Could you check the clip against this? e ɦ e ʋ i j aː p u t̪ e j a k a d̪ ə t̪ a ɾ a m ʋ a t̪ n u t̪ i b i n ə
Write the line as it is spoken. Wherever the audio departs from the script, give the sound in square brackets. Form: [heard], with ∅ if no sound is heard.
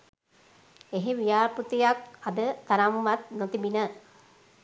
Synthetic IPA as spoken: e ɦ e ʋ i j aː p u t̪ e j a k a d̪ ə t̪ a ɾ a m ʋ a t̪ n [o] t̪ i b i n ə

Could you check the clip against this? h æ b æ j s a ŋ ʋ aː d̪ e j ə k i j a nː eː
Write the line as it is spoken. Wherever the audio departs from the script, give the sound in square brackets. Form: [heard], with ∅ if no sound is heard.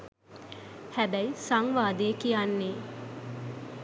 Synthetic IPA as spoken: h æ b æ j s a ŋ ʋ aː d̪ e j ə k i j a nː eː

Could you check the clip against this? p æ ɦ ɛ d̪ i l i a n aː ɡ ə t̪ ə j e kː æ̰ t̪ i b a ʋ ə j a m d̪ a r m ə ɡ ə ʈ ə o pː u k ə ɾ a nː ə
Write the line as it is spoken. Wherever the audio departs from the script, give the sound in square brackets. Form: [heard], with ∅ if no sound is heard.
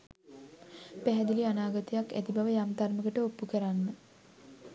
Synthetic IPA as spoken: p æ ɦ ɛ d̪ i l i a n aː ɡ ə t̪ ə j [a] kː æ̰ t̪ i b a ʋ ə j a m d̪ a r m ə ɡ ə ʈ ə o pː u k ə ɾ a nː ə

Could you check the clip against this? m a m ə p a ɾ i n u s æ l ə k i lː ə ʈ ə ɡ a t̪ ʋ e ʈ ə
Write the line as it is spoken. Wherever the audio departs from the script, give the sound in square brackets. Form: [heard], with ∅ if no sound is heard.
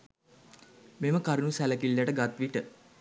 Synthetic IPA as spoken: m [e] m ə [k] a ɾ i n u s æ l ə k i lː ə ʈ ə ɡ a t̪ ʋ [i] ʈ ə

